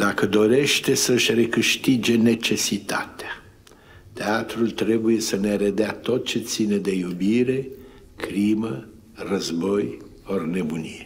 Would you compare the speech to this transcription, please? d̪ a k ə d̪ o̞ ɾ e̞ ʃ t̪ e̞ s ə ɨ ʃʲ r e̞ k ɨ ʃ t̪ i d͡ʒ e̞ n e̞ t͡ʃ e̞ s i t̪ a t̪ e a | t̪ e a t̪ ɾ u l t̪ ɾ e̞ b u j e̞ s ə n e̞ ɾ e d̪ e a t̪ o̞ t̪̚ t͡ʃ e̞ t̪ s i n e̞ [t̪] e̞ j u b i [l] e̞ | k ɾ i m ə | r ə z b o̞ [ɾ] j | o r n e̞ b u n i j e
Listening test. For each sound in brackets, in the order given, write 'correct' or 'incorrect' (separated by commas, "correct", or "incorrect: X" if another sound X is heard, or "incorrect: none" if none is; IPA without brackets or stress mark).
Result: incorrect: d̪, incorrect: ɾ, incorrect: none